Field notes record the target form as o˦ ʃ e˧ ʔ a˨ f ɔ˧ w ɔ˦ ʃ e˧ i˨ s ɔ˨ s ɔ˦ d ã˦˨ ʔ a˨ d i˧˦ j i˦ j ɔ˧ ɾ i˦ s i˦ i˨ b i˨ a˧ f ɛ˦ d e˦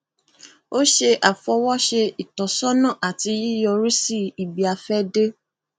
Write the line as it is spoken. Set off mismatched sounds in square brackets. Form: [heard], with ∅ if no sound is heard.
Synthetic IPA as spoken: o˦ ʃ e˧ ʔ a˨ f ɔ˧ w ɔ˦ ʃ e˧ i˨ [t] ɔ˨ s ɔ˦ [n] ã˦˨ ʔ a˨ [t] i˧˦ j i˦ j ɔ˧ ɾ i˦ s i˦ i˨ b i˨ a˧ f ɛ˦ d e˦

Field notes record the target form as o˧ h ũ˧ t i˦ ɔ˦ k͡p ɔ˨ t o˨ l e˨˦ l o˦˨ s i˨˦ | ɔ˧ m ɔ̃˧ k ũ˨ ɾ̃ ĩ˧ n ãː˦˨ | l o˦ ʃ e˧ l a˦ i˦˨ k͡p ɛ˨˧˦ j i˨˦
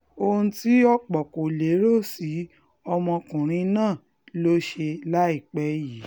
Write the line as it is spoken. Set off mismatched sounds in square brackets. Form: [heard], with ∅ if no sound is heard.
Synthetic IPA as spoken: o˧ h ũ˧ t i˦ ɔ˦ k͡p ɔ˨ [k] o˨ l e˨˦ [ɾ] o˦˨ s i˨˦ | ɔ˧ m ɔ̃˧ k ũ˨ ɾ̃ ĩ˧ n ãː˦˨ | l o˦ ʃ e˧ l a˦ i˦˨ k͡p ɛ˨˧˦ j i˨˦

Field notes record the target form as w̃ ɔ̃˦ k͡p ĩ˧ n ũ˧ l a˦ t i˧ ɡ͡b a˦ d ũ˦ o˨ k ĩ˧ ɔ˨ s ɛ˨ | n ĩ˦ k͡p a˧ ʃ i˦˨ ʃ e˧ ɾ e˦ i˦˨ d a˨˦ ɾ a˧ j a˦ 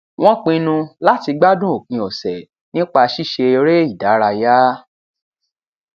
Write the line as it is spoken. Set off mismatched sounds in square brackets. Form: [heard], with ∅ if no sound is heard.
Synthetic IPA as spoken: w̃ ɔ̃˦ k͡p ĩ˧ n ũ˧ l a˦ t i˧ ɡ͡b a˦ d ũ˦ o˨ k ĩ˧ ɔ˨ s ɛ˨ | n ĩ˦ k͡p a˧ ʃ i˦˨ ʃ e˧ ɾ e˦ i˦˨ d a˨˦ ɾ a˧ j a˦

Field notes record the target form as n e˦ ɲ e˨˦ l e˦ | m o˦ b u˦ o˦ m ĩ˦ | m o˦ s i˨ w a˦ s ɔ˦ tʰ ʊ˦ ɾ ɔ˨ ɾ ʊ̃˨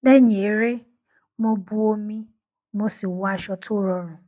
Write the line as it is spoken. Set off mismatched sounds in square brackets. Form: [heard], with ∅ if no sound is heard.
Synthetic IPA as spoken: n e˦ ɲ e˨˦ [ɾ] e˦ | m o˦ b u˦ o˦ m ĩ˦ | m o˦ s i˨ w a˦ [ʃ] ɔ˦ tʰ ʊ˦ ɾ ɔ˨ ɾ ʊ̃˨

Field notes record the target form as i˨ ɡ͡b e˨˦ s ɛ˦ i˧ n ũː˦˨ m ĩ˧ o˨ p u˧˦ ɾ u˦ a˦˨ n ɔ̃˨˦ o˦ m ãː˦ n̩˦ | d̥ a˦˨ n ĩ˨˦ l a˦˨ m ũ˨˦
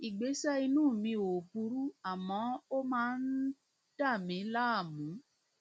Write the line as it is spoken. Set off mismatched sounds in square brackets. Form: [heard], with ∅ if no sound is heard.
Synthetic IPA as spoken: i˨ ɡ͡b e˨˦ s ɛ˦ i˧ n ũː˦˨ m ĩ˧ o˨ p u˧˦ ɾ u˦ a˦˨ [m] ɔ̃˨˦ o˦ m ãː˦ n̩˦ | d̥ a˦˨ [m] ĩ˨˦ l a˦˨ m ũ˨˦

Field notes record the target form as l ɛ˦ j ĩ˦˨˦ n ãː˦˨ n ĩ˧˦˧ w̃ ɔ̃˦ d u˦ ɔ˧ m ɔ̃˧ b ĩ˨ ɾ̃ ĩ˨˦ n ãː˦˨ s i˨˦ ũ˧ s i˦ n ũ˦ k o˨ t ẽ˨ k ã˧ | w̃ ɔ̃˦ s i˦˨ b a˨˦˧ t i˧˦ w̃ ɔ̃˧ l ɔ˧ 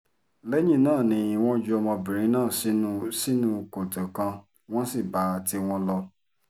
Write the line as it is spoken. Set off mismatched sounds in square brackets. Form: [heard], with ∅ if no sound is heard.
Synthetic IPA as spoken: l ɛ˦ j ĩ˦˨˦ n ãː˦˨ n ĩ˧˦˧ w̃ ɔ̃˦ [d͡ʒ] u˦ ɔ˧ m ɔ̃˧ b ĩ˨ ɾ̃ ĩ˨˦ n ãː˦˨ s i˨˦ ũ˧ s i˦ n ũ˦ k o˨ t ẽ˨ k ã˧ | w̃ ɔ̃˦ s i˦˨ b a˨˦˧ t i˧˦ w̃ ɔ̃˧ l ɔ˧

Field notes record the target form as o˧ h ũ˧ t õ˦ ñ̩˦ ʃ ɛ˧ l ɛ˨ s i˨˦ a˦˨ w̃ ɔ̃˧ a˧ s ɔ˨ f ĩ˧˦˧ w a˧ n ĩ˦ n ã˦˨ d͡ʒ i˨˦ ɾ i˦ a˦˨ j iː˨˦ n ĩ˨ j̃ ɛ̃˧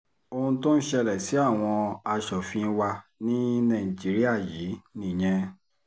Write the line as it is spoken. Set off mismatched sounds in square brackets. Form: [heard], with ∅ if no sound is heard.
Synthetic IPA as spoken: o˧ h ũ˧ t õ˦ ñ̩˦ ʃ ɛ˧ l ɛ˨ s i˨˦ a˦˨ w̃ ɔ̃˧ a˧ [ʃ] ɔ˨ f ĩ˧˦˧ w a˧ n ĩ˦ n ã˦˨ d͡ʒ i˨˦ ɾ i˦ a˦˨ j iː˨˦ n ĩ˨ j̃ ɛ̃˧

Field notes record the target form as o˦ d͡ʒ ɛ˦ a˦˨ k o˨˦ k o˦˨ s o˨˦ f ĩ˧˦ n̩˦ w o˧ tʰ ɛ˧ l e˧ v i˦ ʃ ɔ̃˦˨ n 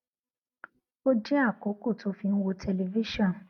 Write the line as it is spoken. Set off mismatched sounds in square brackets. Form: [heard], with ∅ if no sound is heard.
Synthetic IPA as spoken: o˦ d͡ʒ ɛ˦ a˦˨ k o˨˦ k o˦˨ [t] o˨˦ f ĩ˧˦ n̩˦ w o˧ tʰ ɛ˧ l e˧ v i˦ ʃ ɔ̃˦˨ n

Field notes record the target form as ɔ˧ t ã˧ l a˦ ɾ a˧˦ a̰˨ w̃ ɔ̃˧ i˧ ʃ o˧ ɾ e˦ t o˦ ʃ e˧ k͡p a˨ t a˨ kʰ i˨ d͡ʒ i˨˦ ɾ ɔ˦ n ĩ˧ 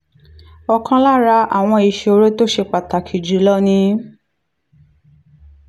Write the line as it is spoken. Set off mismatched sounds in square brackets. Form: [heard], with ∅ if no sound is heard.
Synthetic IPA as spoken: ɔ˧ [k] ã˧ l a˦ ɾ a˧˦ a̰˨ w̃ ɔ̃˧ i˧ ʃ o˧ ɾ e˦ t o˦ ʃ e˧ k͡p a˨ t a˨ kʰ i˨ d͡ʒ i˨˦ [l] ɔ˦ n ĩ˧

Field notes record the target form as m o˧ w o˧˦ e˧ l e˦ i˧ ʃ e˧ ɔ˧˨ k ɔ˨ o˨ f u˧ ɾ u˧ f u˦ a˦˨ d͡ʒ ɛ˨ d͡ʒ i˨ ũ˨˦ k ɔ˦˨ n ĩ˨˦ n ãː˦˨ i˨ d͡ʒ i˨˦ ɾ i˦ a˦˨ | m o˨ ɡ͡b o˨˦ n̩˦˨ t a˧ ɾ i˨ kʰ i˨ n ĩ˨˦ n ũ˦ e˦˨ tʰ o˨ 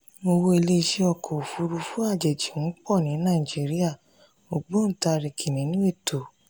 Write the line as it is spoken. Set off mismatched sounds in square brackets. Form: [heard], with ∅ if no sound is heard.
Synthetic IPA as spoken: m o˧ w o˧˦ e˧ l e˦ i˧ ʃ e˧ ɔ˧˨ k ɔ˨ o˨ f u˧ ɾ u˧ f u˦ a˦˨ d͡ʒ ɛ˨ d͡ʒ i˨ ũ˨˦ [k͡p] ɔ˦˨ n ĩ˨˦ n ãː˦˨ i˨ d͡ʒ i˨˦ ɾ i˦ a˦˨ | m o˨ ɡ͡b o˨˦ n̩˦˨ t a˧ ɾ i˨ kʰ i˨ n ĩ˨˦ n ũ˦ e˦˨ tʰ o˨

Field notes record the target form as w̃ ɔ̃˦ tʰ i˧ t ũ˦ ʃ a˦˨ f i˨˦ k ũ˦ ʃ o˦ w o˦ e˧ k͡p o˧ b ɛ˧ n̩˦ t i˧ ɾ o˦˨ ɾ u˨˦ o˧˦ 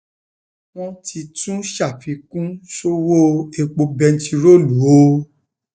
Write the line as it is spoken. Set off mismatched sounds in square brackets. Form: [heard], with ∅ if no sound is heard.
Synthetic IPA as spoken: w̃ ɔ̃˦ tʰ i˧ t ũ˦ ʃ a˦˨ f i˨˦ k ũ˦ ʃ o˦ w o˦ e˧ k͡p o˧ b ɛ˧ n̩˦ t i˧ ɾ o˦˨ [l] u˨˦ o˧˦

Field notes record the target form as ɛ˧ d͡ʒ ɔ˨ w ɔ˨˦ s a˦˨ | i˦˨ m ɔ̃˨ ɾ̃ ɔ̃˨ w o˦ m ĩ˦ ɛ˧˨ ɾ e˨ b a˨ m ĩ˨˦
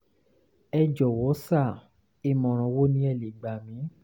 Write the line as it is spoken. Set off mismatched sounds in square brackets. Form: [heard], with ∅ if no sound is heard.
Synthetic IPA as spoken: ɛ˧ d͡ʒ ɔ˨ w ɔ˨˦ s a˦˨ | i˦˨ m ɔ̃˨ ɾ̃ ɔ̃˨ w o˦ [n] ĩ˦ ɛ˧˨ [l] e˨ [ɡ͡b] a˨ m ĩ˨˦

